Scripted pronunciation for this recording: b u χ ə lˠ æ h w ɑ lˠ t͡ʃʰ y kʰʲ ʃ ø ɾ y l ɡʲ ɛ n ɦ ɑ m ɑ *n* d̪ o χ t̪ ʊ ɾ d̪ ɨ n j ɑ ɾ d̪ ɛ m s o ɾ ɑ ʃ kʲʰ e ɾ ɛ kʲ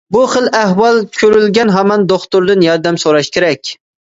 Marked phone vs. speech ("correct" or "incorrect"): correct